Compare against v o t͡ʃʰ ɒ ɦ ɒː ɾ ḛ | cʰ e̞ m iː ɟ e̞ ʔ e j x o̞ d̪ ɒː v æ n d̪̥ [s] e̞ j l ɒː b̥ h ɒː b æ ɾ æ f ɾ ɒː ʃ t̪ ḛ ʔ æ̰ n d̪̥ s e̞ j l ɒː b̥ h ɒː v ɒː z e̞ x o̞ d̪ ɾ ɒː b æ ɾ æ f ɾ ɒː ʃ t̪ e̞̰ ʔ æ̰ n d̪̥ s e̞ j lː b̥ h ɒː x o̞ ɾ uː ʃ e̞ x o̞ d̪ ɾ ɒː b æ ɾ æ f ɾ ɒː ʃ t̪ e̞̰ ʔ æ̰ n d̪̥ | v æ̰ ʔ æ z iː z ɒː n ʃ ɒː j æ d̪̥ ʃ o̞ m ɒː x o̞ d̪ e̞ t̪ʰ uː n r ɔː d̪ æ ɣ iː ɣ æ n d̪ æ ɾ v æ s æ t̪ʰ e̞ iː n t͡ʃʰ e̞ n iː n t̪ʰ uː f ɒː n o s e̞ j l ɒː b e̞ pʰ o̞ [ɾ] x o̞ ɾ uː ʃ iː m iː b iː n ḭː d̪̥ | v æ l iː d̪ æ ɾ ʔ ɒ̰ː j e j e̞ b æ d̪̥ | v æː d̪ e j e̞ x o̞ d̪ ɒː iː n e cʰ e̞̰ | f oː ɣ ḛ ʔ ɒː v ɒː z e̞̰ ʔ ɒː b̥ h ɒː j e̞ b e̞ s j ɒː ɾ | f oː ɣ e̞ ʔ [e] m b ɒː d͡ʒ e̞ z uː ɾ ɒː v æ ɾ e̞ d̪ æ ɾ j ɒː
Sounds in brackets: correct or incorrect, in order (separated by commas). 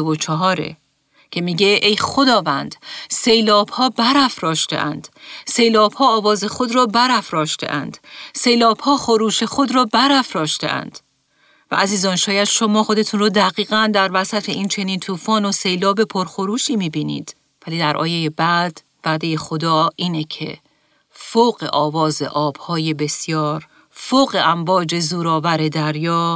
correct, correct, incorrect